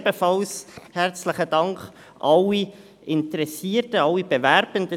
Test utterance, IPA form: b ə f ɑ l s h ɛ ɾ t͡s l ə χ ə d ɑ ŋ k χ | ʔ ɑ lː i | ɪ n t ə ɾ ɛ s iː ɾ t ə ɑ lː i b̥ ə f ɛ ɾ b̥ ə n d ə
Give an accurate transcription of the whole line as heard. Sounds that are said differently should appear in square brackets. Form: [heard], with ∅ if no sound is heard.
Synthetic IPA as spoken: b ə f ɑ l s h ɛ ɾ t͡s l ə χ ə d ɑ ŋ k χ | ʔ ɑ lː i | ɪ n t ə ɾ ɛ s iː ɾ t ə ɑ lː i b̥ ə [v] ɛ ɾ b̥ ə n d ə